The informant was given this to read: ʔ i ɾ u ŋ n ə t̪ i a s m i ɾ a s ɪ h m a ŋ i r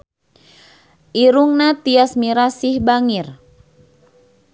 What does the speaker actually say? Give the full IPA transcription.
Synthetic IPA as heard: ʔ i ɾ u ŋ n a t̪ i a s m i ɾ a s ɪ h b a ŋ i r